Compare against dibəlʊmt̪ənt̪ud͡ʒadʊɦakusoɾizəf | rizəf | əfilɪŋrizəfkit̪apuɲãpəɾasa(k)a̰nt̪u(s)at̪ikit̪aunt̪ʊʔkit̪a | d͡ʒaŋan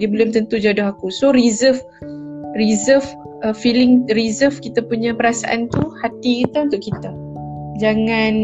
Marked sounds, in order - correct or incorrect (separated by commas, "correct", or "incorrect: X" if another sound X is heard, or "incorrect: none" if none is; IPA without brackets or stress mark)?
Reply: incorrect: ʔ, incorrect: h